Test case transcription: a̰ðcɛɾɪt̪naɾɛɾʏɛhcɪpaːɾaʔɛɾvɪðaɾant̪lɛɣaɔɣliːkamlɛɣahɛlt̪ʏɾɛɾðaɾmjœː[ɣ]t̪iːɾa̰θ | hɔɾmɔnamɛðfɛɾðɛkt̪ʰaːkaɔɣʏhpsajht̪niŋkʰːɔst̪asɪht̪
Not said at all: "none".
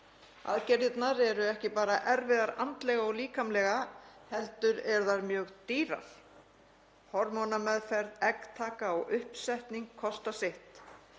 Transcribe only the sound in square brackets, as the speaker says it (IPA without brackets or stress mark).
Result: ɣ